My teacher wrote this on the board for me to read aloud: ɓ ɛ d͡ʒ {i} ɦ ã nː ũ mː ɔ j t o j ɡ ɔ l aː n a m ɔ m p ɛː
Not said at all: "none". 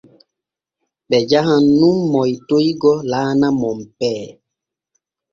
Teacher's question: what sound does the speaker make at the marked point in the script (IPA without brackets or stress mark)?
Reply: a